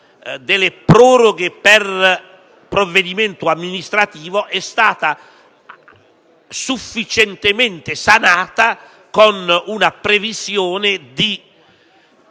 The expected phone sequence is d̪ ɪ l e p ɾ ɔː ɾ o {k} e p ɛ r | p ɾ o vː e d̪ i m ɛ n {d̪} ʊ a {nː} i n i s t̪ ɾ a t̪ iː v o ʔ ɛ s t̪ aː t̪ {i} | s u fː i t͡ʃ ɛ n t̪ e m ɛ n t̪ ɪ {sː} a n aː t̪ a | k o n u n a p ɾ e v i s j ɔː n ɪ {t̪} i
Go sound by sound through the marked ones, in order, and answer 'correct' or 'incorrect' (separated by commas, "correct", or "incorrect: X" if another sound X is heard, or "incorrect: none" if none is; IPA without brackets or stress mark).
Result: incorrect: ɡ, incorrect: t̪, incorrect: mː, incorrect: a, incorrect: s, incorrect: d̪